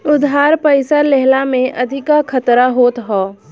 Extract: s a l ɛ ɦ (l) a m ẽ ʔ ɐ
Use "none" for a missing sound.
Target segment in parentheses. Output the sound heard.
l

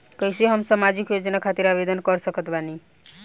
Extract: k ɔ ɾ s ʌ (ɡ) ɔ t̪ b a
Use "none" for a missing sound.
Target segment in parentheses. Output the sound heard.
k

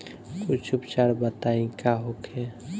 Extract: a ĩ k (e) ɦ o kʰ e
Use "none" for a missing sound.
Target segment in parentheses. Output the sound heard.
a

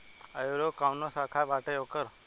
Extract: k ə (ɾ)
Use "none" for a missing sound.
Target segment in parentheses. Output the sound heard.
ɾ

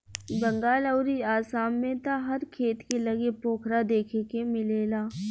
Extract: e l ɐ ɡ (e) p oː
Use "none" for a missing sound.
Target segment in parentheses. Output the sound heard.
e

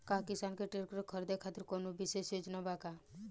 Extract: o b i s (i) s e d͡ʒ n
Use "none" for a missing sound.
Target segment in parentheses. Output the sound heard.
e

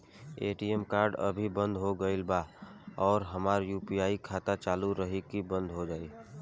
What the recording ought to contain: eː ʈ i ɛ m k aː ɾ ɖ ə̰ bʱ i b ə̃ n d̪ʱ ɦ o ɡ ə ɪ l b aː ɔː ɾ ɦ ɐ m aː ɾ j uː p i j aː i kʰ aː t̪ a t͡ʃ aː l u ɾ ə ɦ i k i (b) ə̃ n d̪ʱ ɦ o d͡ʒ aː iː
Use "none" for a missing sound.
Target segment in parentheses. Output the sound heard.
b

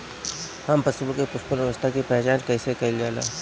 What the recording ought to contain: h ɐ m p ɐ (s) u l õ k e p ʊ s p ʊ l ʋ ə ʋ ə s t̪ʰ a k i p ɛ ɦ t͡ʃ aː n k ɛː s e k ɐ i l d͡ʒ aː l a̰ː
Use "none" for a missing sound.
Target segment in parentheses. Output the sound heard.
s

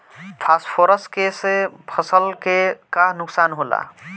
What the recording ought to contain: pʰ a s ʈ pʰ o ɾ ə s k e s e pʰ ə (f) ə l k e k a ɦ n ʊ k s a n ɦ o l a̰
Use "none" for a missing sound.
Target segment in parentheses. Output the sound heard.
s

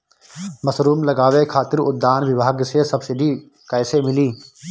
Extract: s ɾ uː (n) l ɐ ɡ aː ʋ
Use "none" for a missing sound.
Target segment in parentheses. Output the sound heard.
m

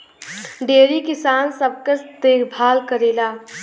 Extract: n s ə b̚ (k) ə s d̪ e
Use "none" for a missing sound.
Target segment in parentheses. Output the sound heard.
k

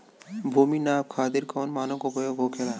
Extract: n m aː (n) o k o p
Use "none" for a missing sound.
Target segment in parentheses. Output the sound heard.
n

